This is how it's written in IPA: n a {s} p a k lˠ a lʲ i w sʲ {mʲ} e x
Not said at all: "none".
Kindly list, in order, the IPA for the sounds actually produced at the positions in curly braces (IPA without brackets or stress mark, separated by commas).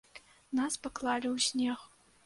s, nʲ